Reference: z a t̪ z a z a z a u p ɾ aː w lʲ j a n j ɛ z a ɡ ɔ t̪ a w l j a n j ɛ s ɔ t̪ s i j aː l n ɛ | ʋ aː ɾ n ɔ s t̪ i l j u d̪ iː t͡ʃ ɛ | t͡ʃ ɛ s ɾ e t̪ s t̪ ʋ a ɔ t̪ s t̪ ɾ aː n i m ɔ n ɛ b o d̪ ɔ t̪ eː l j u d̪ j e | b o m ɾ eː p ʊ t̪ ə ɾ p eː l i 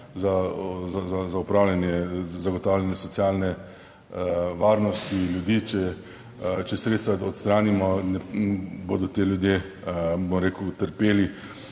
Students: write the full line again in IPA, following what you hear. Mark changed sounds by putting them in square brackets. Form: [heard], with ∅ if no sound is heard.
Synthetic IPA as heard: z a [∅] z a z a z a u p ɾ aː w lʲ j a n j ɛ z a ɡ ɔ t̪ a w l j a n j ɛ s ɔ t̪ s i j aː l n ɛ | ʋ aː ɾ n ɔ s t̪ i l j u d̪ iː t͡ʃ ɛ | t͡ʃ ɛ s ɾ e t̪ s t̪ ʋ a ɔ t̪ s t̪ ɾ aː n i m ɔ n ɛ b o d̪ ɔ t̪ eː l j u d̪ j e | b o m ɾ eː [k] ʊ t̪ ə ɾ p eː l i